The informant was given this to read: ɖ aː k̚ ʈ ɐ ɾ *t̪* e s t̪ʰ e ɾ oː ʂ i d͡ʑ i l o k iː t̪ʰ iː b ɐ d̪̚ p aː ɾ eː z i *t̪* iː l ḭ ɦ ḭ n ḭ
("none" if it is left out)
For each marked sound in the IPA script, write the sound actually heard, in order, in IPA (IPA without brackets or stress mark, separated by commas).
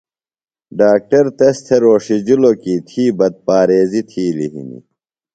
t̪, t̪ʰ